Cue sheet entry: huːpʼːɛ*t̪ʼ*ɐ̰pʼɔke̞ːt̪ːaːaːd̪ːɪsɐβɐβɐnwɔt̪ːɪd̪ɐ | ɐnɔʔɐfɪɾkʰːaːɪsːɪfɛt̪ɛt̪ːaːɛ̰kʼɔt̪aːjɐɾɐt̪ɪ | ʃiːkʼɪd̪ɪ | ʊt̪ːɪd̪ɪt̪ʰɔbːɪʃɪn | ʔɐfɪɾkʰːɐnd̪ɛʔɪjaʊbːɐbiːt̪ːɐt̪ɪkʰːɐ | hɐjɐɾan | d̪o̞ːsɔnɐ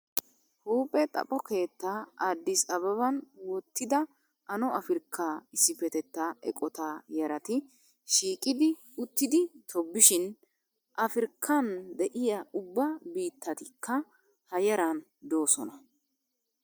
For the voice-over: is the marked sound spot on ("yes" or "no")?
yes